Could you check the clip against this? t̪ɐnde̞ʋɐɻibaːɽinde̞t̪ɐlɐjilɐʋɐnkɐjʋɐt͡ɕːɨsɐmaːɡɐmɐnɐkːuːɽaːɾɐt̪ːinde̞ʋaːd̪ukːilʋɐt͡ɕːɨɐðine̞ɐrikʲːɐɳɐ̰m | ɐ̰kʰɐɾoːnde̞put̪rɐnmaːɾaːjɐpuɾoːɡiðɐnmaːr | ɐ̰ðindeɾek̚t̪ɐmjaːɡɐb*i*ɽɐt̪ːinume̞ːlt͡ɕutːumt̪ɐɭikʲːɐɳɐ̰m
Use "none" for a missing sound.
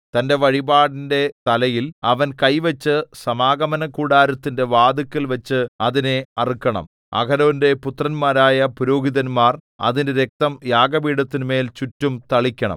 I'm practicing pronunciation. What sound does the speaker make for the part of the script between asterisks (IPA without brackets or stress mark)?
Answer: iː